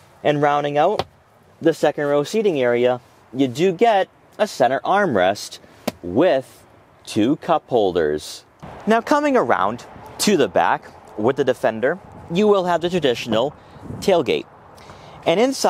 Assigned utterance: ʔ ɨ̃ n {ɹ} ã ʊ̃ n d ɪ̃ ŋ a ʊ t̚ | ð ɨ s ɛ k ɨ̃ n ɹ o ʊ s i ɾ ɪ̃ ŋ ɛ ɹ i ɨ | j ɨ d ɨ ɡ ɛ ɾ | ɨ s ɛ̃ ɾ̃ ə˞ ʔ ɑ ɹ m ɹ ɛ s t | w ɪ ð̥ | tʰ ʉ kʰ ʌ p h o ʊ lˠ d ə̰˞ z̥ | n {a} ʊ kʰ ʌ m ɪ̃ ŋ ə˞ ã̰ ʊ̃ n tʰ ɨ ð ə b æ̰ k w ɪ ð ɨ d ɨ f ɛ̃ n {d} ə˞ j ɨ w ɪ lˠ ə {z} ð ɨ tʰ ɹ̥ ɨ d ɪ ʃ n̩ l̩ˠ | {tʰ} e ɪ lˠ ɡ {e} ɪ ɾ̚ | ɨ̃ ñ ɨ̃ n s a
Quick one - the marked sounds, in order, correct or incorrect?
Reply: correct, correct, correct, incorrect, correct, correct

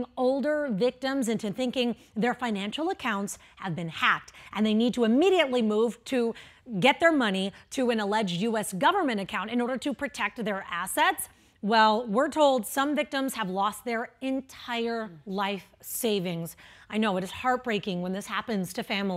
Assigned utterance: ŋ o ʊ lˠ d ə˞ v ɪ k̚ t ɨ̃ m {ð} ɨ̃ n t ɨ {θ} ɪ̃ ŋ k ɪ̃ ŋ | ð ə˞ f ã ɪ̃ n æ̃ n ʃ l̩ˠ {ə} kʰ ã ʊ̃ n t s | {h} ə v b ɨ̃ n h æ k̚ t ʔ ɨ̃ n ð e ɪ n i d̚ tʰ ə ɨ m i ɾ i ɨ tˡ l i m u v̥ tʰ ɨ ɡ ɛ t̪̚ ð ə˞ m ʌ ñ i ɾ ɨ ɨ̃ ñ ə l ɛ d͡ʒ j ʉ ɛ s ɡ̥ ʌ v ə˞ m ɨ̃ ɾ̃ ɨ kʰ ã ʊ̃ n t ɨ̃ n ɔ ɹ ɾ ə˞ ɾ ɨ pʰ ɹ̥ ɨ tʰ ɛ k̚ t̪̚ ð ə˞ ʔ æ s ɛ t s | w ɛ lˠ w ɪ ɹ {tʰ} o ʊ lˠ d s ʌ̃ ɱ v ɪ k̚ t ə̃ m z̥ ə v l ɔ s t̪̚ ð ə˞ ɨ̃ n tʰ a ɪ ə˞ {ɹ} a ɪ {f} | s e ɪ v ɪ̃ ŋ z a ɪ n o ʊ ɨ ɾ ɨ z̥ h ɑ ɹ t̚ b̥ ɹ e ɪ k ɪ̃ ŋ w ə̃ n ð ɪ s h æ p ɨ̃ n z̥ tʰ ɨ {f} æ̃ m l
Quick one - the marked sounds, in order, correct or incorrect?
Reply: incorrect, correct, correct, correct, correct, incorrect, correct, correct

